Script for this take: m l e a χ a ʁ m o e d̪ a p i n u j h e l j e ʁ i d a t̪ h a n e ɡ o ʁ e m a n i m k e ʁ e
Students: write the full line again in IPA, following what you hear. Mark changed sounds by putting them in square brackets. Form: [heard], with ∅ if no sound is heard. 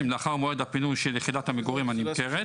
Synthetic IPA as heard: m l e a χ a ʁ m o e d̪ a p i n u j [ʃ] e l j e [χ] i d a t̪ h a [m] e ɡ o ʁ [i] m a n i m k e ʁ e